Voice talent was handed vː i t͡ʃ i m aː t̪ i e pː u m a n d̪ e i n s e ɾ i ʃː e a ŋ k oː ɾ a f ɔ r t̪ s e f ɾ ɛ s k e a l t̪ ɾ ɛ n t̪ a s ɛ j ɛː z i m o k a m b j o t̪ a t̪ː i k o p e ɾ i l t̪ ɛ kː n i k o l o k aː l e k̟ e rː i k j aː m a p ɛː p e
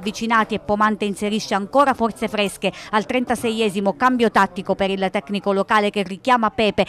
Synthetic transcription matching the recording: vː i t͡ʃ i n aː t̪ i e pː o m a n t̪ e i n s e ɾ i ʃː e a ŋ k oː ɾ a f ɔ r t̪ s e f ɾ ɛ s k e a l t̪ ɾ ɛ n t̪ a s ɛ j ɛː z i m o k a m b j o t̪ a t̪ː i k o p e ɾ i l t̪ ɛ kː n i k o l o k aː l e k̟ e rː i k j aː m a p ɛː p e